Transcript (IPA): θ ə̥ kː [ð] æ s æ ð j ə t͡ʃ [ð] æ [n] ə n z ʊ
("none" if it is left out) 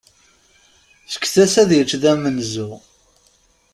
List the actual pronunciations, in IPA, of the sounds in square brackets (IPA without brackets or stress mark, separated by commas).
θ, ð, m